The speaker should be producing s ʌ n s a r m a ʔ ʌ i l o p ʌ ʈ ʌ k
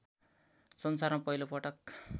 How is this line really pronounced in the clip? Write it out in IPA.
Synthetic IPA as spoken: s ʌ n s a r m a p ʌ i l o p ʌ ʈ ʌ k